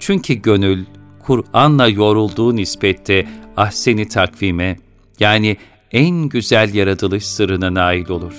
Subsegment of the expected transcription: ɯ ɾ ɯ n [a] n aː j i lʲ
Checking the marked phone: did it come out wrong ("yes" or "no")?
no